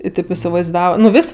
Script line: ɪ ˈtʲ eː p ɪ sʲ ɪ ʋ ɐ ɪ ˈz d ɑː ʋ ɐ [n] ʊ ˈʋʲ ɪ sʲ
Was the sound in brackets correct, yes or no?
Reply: yes